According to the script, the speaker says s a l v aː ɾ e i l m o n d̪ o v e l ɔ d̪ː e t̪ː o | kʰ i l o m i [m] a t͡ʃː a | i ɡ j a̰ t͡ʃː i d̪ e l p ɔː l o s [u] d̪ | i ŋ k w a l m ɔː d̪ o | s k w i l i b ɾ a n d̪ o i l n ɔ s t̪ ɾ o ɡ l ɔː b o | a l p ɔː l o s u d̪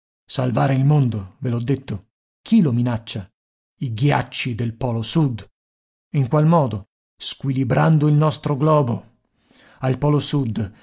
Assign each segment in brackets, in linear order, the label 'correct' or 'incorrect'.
incorrect, correct

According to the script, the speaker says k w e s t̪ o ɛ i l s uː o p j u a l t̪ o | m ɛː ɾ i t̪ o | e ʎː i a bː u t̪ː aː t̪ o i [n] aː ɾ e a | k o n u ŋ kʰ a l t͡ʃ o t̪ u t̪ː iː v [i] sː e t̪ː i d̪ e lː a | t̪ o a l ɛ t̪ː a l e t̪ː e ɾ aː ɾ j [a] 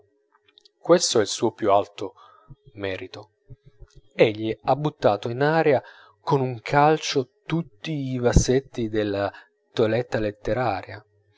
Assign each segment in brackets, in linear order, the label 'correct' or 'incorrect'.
correct, incorrect, correct

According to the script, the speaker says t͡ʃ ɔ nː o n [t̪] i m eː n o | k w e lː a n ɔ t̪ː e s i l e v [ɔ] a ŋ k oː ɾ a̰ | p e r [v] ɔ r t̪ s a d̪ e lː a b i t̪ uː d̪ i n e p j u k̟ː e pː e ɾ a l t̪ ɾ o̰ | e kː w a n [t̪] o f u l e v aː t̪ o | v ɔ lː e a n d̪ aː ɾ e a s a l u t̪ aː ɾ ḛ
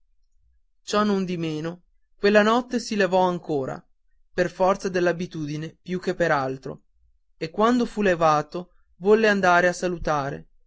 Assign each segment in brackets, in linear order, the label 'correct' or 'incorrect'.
incorrect, correct, incorrect, incorrect

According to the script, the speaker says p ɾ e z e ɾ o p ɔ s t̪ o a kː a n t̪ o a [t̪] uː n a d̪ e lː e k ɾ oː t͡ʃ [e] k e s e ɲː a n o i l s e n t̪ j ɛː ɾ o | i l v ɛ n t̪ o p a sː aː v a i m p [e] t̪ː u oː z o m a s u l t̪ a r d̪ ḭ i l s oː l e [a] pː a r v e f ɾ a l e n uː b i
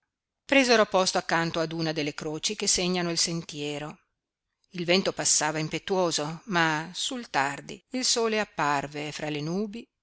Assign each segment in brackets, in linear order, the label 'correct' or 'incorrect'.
incorrect, incorrect, correct, correct

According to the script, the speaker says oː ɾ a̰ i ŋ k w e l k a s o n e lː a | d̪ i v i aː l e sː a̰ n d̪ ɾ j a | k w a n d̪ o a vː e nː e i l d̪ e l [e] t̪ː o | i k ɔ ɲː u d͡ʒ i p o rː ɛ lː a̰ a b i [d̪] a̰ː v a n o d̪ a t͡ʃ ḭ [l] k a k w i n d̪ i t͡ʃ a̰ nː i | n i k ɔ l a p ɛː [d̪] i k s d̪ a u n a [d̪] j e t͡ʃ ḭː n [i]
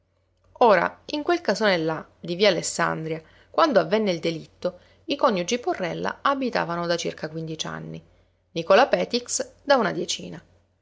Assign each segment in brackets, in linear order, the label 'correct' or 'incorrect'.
incorrect, incorrect, incorrect, incorrect, correct, incorrect

